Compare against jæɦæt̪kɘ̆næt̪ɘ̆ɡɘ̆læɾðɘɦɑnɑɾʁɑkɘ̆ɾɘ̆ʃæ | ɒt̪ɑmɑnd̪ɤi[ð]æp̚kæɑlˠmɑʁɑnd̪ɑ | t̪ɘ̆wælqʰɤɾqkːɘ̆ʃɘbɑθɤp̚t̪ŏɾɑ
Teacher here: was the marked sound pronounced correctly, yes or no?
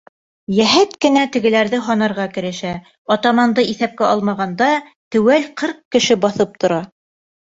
no